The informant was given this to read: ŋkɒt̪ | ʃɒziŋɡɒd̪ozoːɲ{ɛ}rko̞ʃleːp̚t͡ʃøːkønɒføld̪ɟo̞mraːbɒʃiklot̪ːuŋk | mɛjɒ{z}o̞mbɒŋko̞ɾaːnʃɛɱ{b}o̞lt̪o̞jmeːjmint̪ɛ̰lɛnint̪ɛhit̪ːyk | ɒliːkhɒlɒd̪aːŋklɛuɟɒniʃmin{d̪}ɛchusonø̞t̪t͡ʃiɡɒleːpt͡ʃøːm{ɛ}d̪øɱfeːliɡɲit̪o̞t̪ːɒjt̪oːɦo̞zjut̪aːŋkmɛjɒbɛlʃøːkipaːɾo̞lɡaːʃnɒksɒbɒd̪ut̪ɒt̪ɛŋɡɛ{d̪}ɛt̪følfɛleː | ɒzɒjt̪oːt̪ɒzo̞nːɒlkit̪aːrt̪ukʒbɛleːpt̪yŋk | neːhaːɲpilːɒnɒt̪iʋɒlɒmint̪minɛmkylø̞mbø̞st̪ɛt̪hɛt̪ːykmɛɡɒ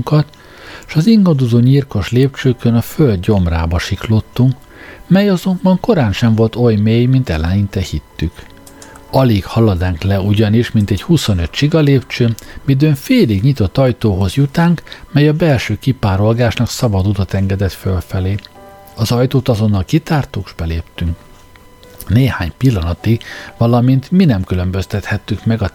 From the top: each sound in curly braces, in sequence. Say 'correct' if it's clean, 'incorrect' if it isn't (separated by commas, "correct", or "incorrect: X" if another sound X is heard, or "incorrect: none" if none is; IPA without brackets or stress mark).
incorrect: i, correct, incorrect: v, incorrect: t̪, incorrect: i, correct